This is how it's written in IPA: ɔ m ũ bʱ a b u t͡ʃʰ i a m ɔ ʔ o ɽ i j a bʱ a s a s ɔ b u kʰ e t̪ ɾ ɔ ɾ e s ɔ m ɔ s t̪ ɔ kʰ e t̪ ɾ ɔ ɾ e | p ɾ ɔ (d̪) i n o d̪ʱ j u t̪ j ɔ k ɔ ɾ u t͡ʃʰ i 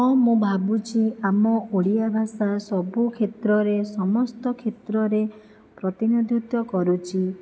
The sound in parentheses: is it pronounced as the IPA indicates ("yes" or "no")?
no